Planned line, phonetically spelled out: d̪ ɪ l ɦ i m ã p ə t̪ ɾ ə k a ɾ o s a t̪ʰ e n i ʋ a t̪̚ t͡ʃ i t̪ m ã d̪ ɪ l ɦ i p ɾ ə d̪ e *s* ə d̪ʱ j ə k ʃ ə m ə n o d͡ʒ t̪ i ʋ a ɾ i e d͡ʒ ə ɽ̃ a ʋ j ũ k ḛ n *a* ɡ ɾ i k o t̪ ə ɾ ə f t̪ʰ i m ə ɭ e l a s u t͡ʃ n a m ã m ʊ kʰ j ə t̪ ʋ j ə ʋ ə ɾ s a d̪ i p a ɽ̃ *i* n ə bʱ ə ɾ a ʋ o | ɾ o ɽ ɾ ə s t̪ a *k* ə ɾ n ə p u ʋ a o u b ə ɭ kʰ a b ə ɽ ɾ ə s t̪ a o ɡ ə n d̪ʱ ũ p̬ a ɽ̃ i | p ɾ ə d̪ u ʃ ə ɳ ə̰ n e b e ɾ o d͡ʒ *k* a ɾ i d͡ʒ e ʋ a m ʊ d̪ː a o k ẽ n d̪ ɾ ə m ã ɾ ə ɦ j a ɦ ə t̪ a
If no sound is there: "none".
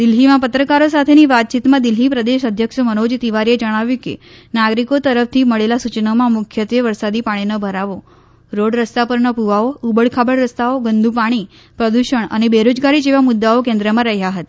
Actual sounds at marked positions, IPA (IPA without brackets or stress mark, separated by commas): ʃ, a, i, p, ɡ